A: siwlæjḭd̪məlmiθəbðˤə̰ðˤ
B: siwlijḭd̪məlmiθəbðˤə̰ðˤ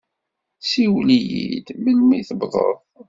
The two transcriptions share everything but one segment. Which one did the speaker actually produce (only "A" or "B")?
B